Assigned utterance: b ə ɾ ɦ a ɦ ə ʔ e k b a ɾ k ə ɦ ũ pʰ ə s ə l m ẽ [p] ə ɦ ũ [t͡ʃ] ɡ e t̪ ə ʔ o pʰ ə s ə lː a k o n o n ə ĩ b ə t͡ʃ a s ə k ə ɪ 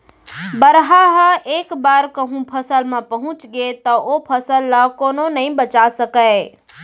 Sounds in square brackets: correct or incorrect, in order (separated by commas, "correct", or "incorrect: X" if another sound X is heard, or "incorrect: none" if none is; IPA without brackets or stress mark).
correct, correct